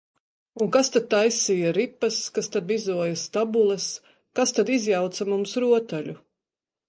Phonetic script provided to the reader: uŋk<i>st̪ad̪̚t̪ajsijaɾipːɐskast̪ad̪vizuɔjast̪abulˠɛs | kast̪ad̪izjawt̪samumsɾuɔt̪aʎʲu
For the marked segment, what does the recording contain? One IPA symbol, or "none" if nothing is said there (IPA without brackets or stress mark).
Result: a